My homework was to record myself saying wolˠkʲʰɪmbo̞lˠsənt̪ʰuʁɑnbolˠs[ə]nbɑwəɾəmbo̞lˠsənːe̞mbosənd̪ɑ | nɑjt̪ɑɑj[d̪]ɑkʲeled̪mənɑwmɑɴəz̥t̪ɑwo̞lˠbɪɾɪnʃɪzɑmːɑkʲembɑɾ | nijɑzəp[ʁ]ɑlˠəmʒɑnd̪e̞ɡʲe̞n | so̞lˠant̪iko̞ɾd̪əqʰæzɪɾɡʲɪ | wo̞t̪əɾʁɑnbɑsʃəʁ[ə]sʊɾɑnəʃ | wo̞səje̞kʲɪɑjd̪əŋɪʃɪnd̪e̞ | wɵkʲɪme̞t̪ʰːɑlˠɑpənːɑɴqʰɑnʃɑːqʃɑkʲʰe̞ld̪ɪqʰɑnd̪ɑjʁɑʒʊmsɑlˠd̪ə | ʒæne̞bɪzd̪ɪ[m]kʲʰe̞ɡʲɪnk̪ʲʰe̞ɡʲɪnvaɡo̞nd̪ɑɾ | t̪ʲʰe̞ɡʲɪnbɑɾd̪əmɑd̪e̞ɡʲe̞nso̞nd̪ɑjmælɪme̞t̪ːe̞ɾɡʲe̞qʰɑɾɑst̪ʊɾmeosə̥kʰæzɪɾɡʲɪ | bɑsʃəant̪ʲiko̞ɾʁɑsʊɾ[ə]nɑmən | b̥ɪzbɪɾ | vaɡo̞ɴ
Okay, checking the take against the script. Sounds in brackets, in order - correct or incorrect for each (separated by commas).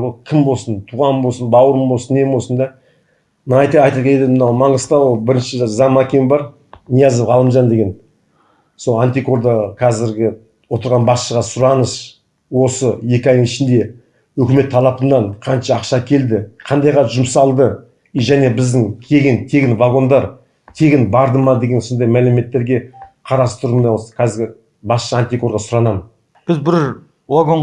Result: correct, incorrect, correct, incorrect, incorrect, incorrect